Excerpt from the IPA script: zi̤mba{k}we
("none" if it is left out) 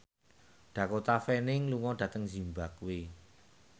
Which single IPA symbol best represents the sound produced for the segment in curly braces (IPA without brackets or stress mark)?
k